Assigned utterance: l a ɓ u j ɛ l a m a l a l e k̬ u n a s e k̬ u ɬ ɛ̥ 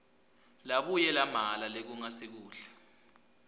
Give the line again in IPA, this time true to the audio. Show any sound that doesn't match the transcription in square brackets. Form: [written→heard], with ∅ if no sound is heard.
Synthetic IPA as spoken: l a ɓ u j ɛ l a m a l a l e k̬ u [n→ŋ] a s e k̬ [u→uː] ɬ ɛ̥

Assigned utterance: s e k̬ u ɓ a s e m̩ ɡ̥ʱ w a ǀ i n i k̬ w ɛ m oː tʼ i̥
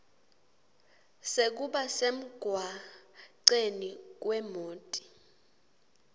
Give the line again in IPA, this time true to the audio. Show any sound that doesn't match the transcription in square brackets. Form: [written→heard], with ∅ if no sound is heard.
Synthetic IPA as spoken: s e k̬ u ɓ a s e m̩ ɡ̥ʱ w a ǀ [i→e] n i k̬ w ɛ m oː tʼ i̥

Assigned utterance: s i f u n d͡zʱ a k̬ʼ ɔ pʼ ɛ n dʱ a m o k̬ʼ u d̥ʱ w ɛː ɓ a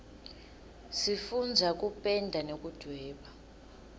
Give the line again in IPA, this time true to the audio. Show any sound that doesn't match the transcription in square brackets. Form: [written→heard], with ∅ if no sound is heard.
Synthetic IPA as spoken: s i f u n d͡zʱ a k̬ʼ [ɔ→u] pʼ ɛ n dʱ a [m→n] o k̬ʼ u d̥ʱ w ɛː ɓ a

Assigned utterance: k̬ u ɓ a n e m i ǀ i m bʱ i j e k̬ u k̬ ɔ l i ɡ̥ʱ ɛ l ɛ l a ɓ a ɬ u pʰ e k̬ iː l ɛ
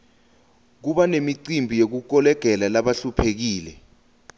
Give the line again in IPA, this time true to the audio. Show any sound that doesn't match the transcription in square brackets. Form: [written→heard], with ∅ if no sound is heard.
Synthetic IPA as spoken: k̬ u ɓ a n e m i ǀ i m bʱ i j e k̬ u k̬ ɔ l [i→ɛ] ɡ̥ʱ ɛ l [ɛ→a] l a ɓ a ɬ u pʰ e k̬ iː l ɛ

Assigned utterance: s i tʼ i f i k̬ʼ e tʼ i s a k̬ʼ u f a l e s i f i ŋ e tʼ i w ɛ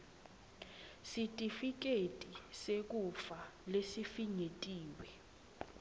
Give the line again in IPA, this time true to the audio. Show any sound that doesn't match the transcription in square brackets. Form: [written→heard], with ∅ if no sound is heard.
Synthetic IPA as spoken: s i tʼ i f i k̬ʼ e tʼ i s [a→e] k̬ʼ u f a l e s i f i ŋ e tʼ [i→iː] w ɛ

